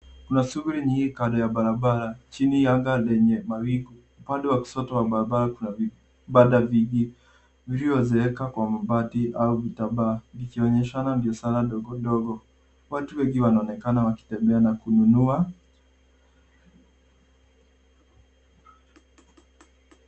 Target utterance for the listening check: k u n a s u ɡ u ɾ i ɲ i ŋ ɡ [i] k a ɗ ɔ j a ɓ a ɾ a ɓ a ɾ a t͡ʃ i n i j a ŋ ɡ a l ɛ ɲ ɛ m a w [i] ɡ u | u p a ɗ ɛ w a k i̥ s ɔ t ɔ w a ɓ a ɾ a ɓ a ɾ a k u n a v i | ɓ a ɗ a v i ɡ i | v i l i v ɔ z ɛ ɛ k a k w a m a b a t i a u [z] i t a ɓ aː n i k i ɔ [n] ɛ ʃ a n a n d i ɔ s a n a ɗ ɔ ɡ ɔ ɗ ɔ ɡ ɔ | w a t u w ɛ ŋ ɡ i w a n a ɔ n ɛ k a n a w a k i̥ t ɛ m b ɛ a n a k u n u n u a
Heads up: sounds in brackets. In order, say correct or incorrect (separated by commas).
correct, correct, incorrect, incorrect